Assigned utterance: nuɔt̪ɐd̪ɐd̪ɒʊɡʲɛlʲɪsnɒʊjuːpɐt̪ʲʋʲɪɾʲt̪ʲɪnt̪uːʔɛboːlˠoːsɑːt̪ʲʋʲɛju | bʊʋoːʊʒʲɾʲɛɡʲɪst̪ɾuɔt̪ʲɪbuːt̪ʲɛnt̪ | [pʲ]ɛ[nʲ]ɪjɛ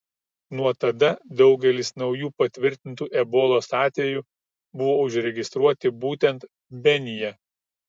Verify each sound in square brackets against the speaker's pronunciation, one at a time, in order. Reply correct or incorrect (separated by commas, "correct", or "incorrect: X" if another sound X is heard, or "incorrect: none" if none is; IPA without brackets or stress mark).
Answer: incorrect: bʲ, correct